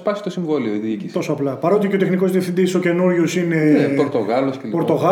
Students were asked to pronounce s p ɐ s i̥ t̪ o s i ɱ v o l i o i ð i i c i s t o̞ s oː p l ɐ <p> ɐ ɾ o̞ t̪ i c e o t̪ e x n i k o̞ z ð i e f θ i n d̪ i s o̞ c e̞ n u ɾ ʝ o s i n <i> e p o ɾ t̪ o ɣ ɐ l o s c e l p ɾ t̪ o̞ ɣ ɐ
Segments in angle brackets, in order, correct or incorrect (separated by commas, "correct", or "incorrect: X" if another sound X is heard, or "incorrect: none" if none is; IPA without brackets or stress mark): correct, incorrect: e